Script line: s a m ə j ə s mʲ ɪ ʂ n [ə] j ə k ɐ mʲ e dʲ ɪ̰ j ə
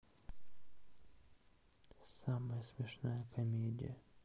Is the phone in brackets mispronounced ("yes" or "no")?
yes